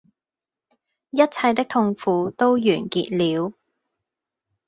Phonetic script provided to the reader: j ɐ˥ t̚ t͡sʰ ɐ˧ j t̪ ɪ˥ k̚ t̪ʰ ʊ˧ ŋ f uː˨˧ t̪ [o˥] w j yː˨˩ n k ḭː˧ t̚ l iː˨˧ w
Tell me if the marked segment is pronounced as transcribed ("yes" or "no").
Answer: yes